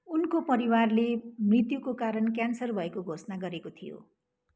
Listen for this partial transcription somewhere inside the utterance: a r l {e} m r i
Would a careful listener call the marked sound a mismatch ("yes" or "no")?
no